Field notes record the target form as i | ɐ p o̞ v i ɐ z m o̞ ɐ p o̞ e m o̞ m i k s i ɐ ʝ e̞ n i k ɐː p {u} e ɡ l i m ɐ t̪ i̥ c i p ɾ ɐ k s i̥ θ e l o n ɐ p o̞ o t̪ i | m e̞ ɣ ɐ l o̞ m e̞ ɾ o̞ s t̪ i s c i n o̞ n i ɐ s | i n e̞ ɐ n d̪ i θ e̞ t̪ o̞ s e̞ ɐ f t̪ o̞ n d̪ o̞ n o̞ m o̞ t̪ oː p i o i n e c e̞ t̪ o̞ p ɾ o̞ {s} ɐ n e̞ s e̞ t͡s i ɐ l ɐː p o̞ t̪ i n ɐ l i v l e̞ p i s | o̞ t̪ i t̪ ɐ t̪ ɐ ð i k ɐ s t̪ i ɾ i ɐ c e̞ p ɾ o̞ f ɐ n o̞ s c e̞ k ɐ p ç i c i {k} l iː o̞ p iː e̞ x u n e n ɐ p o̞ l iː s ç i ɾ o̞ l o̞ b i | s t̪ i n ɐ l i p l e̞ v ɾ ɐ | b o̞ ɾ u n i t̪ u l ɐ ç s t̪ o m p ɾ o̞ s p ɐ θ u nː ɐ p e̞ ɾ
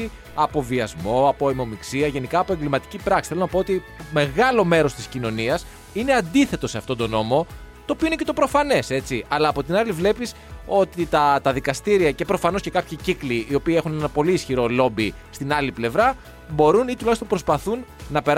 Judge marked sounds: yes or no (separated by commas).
no, no, yes